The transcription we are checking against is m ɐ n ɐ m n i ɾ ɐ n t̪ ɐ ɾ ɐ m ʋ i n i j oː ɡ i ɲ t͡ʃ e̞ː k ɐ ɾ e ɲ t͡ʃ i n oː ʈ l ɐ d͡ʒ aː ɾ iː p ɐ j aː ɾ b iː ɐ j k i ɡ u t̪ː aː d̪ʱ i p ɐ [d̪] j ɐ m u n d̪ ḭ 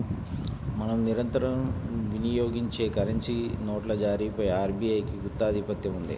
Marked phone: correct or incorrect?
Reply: incorrect